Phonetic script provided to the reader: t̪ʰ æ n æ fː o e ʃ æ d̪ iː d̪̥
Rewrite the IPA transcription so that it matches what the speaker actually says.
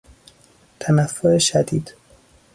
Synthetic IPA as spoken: t̪ʰ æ n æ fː o e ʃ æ d̪ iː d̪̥